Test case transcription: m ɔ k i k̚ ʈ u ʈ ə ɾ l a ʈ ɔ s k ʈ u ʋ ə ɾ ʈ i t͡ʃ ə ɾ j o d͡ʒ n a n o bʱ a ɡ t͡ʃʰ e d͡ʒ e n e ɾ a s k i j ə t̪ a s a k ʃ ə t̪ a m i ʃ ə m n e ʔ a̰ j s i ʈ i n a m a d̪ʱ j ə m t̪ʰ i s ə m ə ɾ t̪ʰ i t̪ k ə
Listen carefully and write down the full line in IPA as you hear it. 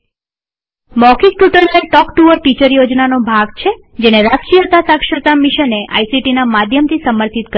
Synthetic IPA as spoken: m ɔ k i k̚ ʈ u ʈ ə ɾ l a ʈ ɔ k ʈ u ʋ ə ɾ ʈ i t͡ʃ ə ɾ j o d͡ʒ n a n o bʱ a ɡ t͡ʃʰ e d͡ʒ e n e ɾ a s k i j ə t̪ a s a k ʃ ə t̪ a m i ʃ ə n e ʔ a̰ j s i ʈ i n a m a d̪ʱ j ə m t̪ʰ i s ə m ə ɾ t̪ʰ i t̪ k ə